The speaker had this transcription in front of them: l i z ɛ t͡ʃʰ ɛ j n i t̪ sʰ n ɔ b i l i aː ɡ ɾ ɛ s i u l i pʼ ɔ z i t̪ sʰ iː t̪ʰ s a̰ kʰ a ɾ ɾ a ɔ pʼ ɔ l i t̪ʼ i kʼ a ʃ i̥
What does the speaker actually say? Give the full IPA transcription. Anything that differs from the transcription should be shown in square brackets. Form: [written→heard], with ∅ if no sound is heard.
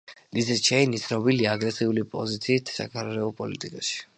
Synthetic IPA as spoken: l i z ɛ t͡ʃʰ ɛ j n i t̪ sʰ n ɔ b i l i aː ɡ ɾ ɛ s i u l i pʼ ɔ z i t̪ sʰ iː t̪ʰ s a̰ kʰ a ɾ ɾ [a→ɛ] ɔ pʼ ɔ l i t̪ʼ i kʼ a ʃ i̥